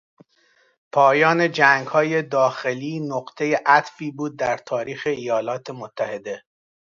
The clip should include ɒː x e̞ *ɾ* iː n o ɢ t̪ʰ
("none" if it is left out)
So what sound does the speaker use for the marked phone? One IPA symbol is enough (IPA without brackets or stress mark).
l